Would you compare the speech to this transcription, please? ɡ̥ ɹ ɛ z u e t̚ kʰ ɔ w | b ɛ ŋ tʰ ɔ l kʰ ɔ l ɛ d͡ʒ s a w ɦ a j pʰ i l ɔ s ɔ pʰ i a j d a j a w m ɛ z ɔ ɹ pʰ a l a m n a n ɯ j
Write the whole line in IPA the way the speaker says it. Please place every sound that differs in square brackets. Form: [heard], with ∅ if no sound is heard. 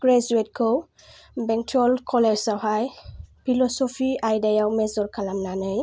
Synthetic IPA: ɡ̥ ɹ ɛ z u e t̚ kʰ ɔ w | b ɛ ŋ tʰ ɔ l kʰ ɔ l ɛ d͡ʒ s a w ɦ a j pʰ i l ɔ s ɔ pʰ i a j d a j a w m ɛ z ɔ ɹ [kʰ] a l a m n a n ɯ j